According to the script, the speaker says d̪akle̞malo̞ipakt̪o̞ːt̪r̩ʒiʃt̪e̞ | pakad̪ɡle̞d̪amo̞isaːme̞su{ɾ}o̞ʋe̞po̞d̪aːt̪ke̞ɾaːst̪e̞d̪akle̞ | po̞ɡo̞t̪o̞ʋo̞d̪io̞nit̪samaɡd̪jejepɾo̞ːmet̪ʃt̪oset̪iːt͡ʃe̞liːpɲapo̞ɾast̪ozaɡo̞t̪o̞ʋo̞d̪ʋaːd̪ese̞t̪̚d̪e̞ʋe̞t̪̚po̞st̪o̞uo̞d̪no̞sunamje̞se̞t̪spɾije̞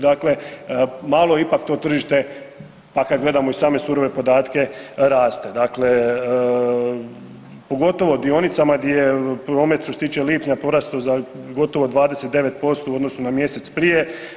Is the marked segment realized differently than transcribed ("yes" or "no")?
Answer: no